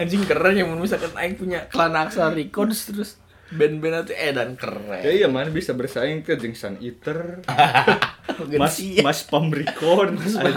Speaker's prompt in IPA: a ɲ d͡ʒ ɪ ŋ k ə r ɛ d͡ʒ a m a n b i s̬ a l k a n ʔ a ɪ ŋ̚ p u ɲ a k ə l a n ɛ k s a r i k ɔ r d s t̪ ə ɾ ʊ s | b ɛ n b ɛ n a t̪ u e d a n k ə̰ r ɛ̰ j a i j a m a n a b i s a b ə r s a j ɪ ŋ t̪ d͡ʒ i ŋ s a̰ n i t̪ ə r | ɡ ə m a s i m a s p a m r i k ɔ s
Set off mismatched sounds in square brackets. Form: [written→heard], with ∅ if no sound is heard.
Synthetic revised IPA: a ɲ d͡ʒ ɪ ŋ k ə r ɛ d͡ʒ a m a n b i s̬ a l k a n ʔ a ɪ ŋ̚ p u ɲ a k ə l a n [ɛ→a] k s a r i k ɔ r d s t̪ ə ɾ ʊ s | b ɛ n b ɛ n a t̪ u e d a n k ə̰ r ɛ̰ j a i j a m a n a b i s a b ə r s a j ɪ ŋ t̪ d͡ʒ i ŋ s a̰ n i t̪ ə r | ɡ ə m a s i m a s p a m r i k ɔ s